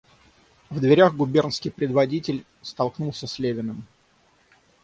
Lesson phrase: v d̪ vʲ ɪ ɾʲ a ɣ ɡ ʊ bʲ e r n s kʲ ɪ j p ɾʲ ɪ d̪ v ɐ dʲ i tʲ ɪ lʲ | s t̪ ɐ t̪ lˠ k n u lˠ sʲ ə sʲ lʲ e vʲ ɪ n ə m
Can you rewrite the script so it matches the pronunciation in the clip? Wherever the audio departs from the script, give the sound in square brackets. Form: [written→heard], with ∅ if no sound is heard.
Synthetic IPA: v d̪ vʲ ɪ ɾʲ a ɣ ɡ ʊ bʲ e r n s kʲ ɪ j p ɾʲ ɪ d̪ v ɐ dʲ i tʲ ɪ lʲ | s t̪ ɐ [t̪→∅] lˠ k n u lˠ sʲ ə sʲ lʲ e vʲ ɪ n ə m